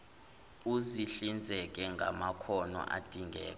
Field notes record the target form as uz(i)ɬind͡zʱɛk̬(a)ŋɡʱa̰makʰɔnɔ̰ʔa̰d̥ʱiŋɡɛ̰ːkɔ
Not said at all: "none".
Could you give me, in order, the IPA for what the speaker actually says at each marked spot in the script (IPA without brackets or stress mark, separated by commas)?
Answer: i, ɛ